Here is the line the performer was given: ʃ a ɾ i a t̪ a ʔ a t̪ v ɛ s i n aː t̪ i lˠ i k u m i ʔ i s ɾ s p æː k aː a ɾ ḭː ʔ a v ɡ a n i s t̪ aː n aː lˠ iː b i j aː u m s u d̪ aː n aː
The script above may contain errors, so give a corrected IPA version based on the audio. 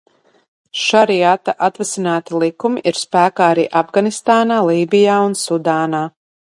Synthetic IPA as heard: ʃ a ɾ i a t̪ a ʔ a t̪ v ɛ s i n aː t̪ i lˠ i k u m i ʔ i ɾ s p æː k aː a ɾ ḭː ʔ a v ɡ a n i s t̪ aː n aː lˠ iː b i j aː u n s u d̪ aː n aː